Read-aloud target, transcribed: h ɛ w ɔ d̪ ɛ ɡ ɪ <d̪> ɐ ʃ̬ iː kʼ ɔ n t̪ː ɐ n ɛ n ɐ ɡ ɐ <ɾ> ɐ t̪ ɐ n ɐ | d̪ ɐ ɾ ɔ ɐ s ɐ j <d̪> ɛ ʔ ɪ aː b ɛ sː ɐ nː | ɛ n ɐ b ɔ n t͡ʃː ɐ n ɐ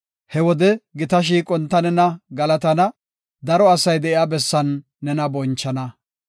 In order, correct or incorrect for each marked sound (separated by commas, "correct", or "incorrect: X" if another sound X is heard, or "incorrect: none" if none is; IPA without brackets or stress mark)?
incorrect: t̪, incorrect: l, correct